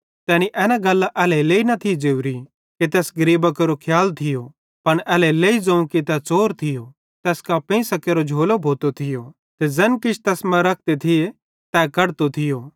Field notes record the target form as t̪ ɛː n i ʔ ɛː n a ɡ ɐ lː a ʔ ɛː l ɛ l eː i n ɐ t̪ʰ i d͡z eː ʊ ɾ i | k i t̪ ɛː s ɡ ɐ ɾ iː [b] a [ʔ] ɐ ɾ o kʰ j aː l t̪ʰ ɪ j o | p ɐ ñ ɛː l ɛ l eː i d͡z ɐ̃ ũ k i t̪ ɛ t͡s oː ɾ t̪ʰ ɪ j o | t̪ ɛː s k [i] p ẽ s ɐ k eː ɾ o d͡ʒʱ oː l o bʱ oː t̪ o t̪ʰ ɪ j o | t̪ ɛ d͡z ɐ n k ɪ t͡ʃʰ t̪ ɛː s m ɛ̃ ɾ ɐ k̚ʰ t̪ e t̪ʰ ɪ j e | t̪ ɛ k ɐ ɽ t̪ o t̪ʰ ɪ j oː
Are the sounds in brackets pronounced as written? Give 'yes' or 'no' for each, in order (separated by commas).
yes, no, no